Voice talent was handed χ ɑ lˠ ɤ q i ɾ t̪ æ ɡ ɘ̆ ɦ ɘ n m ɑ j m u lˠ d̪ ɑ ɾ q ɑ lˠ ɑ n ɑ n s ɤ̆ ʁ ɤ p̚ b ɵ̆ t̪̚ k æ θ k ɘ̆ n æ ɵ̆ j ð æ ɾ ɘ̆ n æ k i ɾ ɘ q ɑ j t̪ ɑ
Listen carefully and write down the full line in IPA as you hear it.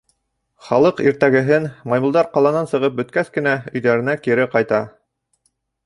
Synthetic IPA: χ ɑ lˠ ɤ q i ɾ t̪ æ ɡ ɘ̆ ɦ ɘ n m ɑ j m u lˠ d̪ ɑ ɾ q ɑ lˠ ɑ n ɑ n s ɤ̆ ʁ ɤ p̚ b ɵ̆ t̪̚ k æ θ k ɘ̆ n æ ɵ̆ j ð æ ɾ ɘ̆ n æ k i ɾ ɘ q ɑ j t̪ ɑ